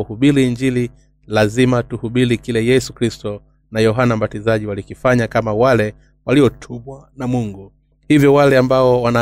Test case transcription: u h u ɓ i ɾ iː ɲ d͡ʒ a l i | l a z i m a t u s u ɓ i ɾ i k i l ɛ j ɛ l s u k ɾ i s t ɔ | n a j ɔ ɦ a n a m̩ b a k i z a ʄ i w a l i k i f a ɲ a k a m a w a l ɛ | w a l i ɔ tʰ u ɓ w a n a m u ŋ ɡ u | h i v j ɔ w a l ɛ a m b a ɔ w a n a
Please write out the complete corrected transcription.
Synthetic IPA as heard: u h u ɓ i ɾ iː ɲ d͡ʒ i l i | l a z i m a t u h u ɓ i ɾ i k i l ɛ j ɛ s u k ɾ i s t ɔ | n a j ɔ ɦ a n a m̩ b a t i z a ʄ i w a l i k i f a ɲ a k a m a w a l ɛ | w a l i ɔ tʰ u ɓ w a n a m u ŋ ɡ u | h i v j ɔ w a l ɛ a m b a ɔ w a n a